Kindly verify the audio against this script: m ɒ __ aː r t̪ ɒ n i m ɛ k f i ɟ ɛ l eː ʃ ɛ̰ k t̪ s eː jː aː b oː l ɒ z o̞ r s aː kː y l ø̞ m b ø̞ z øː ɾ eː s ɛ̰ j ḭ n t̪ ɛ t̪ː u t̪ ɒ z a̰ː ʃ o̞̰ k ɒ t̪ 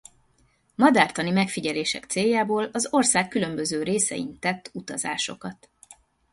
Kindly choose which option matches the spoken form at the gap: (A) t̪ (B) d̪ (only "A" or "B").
B